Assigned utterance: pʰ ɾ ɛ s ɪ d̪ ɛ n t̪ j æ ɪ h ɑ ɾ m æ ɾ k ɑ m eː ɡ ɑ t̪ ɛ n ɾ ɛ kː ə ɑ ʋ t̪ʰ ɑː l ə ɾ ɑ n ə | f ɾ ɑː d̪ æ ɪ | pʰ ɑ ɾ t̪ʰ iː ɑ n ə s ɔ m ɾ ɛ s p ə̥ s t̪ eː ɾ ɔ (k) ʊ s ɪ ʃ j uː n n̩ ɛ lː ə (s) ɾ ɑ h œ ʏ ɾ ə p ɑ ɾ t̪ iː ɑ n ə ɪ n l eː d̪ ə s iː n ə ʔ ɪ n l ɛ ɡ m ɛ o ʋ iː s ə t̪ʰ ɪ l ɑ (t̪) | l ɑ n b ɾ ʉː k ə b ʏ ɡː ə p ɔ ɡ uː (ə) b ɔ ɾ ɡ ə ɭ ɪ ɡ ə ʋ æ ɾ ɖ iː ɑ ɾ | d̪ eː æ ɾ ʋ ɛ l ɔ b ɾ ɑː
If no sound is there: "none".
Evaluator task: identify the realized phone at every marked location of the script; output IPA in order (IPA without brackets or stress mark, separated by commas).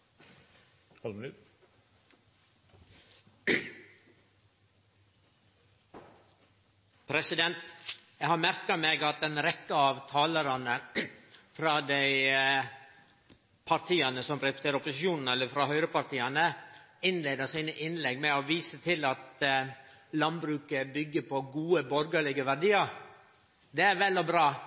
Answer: p, f, t̪, ə